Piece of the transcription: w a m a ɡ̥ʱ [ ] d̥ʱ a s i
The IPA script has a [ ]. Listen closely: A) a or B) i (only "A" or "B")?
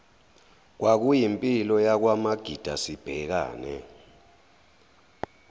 B